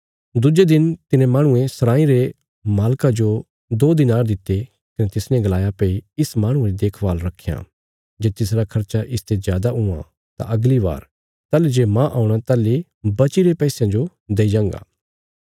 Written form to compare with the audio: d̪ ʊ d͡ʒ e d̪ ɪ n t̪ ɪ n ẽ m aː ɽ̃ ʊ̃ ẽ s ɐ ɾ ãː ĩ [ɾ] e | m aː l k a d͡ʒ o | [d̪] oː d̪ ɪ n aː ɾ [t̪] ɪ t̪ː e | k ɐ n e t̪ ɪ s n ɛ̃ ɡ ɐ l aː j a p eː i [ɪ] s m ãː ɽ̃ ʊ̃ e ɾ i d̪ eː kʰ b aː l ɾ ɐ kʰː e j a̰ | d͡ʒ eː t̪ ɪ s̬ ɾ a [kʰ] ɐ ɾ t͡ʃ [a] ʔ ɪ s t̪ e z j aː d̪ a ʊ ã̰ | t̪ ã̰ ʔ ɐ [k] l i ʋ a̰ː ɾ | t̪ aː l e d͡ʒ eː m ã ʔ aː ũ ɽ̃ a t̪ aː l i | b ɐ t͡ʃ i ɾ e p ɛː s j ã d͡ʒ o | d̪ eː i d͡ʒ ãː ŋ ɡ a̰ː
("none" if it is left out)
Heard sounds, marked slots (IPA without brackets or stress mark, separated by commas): ɾ, d̪, d̪, ɪ, kʰ, a, ɡ